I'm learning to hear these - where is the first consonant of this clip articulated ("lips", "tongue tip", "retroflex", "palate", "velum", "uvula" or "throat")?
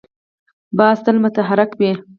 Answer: lips